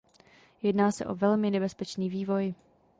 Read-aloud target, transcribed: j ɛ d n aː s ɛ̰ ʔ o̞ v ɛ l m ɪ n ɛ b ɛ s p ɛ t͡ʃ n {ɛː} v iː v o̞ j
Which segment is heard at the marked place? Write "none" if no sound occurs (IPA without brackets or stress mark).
iː